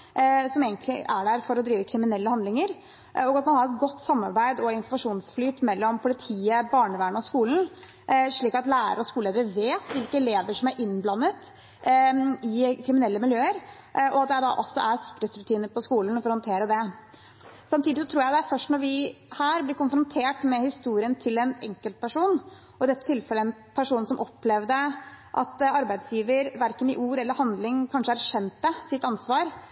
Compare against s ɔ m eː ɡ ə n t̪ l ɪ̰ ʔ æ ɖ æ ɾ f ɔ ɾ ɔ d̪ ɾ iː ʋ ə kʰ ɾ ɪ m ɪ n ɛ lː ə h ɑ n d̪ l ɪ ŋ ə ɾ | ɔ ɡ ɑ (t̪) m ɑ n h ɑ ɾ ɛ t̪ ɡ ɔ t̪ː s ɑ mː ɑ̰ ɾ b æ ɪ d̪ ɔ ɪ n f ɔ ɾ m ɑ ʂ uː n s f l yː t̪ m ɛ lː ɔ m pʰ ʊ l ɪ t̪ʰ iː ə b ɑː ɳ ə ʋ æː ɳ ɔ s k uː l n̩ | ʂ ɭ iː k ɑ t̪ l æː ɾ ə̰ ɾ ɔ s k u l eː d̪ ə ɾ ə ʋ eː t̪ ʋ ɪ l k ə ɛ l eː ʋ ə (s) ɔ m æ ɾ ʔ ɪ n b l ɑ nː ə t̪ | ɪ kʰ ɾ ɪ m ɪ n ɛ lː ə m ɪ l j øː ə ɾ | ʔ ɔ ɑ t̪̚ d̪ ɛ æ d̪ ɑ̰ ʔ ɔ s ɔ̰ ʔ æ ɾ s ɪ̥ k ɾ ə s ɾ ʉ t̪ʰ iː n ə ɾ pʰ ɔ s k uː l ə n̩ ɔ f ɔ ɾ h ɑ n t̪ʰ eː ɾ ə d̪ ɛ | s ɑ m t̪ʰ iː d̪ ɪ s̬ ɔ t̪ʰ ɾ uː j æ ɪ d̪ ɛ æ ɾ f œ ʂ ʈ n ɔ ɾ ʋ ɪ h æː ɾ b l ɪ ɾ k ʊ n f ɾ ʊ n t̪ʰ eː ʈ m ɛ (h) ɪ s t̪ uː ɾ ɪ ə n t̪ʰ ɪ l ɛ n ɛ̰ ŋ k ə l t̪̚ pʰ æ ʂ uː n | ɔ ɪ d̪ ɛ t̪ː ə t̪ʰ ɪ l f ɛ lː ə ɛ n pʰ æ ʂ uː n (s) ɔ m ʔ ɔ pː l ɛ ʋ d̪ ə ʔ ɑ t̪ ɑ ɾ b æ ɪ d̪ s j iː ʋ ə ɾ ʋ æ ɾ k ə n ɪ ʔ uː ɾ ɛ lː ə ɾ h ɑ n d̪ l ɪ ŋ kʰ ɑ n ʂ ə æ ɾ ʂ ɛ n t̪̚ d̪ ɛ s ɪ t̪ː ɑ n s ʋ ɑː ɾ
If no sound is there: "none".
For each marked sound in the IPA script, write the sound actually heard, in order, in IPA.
t̪, ʂ, h, s

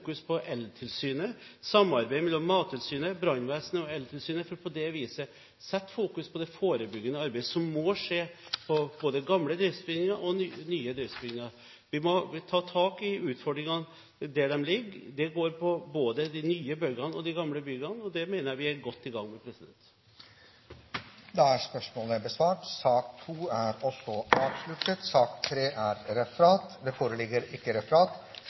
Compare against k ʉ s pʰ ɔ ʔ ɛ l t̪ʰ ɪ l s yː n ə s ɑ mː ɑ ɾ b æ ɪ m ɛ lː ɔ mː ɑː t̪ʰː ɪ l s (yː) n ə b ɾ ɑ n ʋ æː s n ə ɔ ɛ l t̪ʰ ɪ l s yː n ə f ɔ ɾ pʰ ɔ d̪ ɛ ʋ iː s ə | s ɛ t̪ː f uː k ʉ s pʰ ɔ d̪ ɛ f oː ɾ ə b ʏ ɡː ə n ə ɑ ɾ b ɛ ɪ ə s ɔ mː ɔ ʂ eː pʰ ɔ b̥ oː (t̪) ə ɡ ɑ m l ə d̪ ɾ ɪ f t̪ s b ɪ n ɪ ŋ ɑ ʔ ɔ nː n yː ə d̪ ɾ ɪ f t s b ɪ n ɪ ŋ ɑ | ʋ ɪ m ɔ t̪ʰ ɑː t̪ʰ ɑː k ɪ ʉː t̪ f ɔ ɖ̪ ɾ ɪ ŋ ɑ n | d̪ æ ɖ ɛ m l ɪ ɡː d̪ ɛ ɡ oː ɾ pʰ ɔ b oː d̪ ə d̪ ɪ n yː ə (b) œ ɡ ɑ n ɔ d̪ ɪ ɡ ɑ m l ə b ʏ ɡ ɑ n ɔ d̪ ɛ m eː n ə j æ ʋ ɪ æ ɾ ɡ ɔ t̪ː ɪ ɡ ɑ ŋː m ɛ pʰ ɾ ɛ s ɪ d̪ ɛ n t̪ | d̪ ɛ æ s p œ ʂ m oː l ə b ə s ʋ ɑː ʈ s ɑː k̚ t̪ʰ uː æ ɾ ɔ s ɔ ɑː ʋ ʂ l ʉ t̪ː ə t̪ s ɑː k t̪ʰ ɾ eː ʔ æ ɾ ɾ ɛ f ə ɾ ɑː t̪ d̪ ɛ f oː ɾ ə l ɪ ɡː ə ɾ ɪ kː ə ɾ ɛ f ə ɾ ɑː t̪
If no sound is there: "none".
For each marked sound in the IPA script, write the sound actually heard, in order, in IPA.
yː, d̪, b

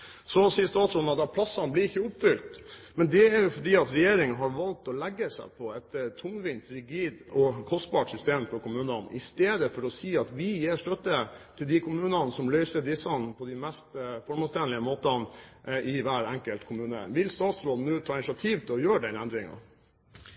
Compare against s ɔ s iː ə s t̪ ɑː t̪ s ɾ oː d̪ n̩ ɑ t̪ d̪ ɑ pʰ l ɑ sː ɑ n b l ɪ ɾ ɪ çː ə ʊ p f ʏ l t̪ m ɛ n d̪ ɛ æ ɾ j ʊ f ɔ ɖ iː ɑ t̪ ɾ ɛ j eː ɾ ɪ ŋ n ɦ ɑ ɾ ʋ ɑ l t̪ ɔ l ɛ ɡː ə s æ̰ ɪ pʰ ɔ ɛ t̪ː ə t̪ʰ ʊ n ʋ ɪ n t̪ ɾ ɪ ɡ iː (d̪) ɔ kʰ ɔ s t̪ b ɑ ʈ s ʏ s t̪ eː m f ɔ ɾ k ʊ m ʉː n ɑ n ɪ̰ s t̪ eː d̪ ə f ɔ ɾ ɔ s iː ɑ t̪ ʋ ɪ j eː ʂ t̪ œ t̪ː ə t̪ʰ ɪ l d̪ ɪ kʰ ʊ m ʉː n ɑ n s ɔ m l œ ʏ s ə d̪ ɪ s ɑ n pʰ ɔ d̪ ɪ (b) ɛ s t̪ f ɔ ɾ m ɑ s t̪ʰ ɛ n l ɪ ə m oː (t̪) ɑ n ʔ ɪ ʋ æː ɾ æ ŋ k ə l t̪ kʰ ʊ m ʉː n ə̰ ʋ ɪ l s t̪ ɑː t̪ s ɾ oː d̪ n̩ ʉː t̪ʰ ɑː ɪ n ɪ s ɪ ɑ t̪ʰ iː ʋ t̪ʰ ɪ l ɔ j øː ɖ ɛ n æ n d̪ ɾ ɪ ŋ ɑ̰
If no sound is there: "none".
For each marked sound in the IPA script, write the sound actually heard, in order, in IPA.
d̪, m, t̪

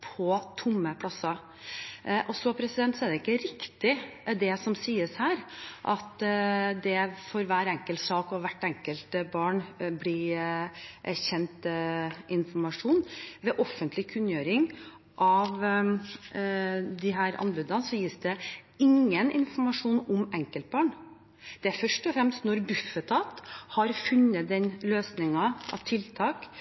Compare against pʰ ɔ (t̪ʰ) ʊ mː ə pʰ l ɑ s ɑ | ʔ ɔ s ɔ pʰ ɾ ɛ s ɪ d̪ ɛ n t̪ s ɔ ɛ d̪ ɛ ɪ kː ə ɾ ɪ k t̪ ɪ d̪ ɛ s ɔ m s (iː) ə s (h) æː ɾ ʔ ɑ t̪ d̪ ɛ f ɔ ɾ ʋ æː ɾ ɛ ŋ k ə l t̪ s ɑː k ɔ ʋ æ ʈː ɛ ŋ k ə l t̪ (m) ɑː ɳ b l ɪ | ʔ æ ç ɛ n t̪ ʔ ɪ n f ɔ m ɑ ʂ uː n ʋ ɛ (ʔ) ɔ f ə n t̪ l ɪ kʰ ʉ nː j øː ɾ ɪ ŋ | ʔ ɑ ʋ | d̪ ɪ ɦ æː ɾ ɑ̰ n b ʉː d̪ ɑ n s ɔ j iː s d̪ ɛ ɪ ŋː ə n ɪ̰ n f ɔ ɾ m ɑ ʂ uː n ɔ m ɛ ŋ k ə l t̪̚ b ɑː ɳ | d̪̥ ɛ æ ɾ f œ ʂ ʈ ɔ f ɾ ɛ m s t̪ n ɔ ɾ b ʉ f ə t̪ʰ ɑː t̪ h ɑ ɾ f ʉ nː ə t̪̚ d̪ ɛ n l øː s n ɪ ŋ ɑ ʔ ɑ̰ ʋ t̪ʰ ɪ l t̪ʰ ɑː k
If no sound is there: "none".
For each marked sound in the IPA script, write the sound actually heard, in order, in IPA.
t̪ʰ, iː, h, b, ʔ

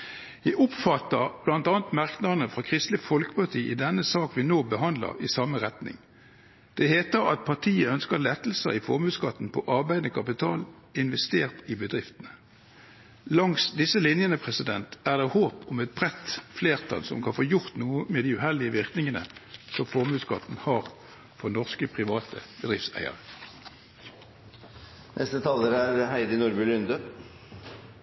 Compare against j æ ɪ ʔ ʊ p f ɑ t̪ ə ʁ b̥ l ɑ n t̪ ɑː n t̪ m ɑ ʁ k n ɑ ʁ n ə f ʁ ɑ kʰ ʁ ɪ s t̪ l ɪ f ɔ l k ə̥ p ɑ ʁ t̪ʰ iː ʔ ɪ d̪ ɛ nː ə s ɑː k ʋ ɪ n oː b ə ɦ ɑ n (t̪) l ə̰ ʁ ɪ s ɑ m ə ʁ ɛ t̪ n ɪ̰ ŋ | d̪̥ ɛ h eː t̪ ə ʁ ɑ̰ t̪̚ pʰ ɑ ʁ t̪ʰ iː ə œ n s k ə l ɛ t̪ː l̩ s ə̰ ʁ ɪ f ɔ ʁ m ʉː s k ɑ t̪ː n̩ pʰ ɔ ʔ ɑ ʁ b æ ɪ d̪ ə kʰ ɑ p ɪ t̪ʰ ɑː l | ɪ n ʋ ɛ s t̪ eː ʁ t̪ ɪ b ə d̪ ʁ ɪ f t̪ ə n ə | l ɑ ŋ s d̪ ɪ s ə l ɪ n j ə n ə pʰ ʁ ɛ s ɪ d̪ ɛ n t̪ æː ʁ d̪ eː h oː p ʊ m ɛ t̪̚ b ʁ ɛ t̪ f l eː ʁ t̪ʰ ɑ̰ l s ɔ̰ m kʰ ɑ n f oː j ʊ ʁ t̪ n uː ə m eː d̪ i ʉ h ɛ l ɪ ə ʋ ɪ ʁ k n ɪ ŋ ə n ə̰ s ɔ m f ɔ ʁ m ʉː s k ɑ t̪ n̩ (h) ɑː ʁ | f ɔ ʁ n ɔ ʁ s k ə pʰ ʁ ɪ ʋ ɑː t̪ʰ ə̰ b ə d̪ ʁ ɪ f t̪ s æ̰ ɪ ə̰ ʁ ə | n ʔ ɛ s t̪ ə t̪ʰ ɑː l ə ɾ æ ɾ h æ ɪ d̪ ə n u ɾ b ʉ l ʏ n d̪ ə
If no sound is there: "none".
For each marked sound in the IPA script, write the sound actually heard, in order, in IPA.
d̪, h

